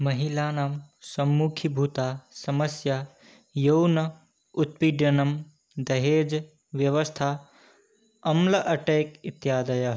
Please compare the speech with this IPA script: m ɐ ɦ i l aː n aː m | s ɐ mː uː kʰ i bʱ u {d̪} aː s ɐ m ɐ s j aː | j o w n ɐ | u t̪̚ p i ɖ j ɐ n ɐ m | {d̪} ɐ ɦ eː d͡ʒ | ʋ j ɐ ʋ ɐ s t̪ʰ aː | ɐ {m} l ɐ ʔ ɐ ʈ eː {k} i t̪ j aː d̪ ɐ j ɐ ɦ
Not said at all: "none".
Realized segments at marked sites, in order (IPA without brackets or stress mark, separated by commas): t̪, d̪, m, k